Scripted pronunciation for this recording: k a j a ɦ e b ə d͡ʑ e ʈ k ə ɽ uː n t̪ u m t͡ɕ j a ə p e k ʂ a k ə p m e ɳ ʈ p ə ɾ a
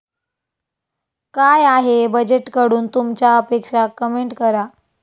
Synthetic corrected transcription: k a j a ɦ e b ə d͡ʑ e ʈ k ə ɽ uː n t̪ u m t͡ɕ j a ə p e k ʂ a k ə m e ɳ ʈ k ə ɾ a